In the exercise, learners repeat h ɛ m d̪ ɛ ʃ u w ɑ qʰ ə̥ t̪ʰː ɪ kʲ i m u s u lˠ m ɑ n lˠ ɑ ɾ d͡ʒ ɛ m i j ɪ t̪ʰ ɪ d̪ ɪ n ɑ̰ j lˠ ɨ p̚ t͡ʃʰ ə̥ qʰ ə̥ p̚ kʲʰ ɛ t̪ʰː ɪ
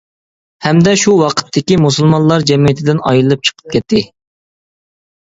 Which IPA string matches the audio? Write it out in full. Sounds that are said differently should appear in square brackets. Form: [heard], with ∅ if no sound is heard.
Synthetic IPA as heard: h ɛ m d̪ ɛ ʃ u w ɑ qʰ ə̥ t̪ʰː ɪ kʲ i m u s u lˠ m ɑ n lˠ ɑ ɾ d͡ʒ ɛ m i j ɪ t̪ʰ ɪ d̪ ɪ n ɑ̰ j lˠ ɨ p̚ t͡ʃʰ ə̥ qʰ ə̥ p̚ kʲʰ ɛ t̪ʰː ɪ